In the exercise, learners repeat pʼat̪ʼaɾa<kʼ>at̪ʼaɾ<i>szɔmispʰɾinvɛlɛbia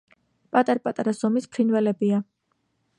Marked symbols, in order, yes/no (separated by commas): no, no